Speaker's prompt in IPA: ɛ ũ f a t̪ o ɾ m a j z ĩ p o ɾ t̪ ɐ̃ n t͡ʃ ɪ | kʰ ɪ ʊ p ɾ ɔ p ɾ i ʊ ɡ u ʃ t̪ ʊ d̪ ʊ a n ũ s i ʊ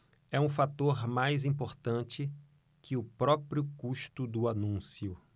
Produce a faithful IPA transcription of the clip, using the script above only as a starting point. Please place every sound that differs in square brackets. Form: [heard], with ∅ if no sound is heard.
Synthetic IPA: ɛ ũ f a t̪ o ɾ m a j z ĩ p o ɾ t̪ ɐ̃ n t͡ʃ ɪ | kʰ ɪ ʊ p ɾ ɔ p ɾ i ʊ [k] u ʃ t̪ ʊ d̪ ʊ a n ũ s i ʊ